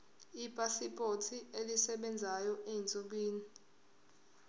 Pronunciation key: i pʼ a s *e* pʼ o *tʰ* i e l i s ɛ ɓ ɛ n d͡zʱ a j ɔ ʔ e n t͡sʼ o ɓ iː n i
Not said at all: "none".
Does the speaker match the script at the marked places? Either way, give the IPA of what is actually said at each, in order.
i, tʰ

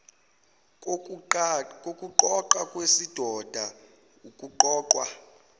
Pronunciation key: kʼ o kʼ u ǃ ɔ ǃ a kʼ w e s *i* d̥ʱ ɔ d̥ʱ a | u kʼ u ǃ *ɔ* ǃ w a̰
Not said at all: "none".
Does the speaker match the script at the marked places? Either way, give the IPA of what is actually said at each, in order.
i, ɔː

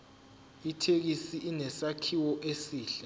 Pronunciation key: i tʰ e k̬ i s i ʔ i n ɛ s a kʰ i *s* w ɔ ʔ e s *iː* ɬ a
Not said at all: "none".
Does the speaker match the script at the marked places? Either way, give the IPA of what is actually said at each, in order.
none, iː

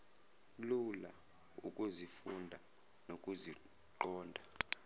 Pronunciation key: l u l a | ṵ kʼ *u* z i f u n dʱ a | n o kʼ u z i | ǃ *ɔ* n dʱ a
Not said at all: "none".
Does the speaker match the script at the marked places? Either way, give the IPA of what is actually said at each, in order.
u, ɔː

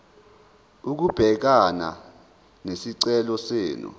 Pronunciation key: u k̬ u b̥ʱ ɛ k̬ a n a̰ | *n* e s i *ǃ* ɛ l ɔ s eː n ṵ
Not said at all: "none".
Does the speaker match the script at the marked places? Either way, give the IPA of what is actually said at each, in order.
n, ǀ

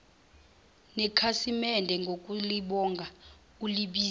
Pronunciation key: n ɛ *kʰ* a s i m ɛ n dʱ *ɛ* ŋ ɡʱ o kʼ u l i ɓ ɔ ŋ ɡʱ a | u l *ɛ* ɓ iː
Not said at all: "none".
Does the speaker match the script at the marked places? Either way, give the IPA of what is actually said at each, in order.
kʰ, ɛ, i

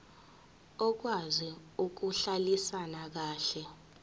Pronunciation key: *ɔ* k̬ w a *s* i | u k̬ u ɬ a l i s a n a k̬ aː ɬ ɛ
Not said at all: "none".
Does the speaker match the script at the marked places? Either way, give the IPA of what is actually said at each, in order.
ɔ, z

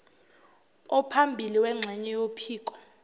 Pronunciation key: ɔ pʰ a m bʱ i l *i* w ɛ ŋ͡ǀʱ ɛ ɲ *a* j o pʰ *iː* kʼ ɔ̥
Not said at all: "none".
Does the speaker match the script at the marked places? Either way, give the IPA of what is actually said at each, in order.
i, ɛ, iː

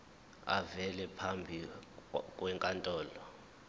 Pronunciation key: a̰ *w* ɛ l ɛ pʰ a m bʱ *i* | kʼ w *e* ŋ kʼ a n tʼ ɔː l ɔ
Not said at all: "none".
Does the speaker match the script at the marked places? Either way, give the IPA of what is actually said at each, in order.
v, i, ɛ

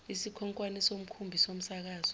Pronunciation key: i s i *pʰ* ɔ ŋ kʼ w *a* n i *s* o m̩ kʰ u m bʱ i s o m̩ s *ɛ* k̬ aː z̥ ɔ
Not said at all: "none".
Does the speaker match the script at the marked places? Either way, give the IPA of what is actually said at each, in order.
kʰ, a, s, a

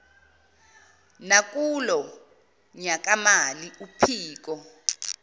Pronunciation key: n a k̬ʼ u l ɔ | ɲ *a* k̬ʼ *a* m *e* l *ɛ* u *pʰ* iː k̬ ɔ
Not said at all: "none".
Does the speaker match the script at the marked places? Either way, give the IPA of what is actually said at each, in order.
a, a, a, i, pʰ

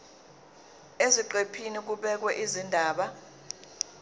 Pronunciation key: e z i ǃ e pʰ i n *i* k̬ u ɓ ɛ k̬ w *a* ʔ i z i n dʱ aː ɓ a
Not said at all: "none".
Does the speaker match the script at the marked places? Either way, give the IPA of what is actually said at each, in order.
i, ɛ

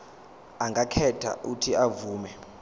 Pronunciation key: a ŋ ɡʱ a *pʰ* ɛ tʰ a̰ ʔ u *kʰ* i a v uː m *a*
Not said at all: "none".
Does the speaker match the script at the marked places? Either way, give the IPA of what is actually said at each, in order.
kʰ, tʰ, ɛ

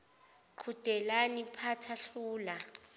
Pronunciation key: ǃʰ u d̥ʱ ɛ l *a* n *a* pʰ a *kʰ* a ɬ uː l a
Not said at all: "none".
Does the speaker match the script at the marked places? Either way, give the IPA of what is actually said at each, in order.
a, i, tʰ

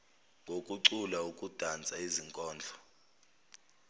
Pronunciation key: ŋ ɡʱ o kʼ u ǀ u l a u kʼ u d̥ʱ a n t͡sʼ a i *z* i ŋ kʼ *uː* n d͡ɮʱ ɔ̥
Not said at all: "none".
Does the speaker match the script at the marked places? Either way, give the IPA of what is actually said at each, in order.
z, ɔː

